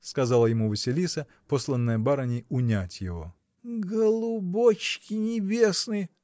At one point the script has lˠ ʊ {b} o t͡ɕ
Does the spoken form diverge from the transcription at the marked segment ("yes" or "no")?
no